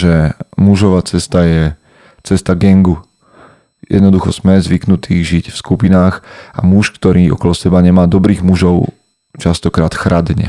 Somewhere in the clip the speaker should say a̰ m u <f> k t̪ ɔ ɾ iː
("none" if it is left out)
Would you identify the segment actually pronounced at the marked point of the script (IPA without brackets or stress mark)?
ʃ